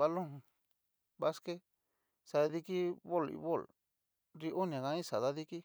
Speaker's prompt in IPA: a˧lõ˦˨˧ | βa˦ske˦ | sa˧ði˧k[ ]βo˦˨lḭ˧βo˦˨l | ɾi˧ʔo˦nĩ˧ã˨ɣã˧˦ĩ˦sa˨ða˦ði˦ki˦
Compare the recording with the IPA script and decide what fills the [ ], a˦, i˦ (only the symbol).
i˦